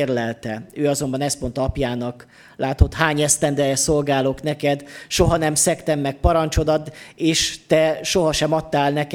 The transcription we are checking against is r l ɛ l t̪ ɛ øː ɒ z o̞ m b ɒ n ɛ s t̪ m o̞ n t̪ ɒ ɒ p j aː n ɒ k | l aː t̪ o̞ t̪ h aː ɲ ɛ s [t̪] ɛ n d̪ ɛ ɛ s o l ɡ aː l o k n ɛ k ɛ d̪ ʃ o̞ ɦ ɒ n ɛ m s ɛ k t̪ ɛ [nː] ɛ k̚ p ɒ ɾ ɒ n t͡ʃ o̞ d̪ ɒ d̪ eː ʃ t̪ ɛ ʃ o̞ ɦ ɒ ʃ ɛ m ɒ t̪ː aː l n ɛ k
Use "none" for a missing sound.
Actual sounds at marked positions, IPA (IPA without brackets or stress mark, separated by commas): t̪, mː